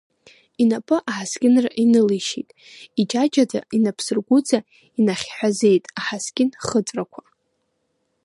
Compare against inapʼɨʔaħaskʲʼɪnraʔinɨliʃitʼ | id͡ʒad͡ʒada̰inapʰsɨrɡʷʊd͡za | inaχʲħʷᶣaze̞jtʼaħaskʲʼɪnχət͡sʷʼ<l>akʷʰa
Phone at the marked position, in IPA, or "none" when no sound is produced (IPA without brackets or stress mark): r